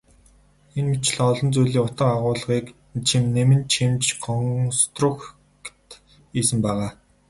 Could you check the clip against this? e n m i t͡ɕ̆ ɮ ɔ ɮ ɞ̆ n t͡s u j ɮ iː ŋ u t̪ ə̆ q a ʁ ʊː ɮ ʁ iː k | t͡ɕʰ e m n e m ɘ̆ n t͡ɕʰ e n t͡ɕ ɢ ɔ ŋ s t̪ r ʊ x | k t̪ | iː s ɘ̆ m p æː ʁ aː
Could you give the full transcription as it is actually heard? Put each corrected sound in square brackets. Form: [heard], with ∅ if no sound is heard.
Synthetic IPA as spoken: e n m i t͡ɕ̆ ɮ ɔ ɮ ɞ̆ n t͡s u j ɮ iː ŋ [ʊ] t̪ ə̆ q a ʁ ʊː ɮ ʁ iː k | t͡ɕʰ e m n e m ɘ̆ n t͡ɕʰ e [m] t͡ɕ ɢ ɔ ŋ s t̪ r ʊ x | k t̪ | iː s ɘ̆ m p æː ʁ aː